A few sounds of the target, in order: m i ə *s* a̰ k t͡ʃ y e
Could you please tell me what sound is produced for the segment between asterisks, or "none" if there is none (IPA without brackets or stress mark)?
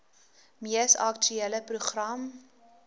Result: s